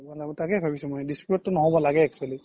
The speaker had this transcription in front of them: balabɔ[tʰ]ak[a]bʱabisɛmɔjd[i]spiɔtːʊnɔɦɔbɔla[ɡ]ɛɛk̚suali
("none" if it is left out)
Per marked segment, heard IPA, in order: t, ɛ, i, ɡ

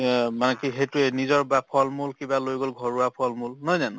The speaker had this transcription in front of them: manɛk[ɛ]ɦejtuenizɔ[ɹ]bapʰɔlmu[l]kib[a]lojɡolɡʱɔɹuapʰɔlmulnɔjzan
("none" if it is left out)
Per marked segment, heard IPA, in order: i, ɹ, l, a

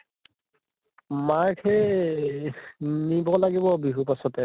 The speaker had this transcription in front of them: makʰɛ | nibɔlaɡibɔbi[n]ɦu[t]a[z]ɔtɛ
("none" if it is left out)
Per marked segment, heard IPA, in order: none, p, s

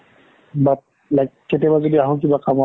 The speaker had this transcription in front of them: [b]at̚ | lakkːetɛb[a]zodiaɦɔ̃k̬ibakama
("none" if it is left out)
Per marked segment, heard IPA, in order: b, a

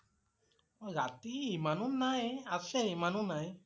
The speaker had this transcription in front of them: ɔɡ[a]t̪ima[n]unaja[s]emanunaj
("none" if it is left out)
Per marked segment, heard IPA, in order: a, n, s

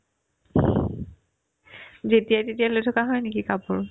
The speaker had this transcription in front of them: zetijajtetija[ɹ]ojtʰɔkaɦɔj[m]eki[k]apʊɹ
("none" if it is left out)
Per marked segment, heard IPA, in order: l, n, k

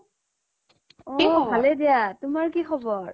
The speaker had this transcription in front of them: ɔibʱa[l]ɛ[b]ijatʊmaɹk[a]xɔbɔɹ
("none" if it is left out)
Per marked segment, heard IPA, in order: l, d, i

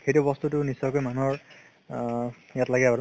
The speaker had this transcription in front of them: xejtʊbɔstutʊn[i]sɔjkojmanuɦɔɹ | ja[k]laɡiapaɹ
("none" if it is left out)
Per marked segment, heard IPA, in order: i, t

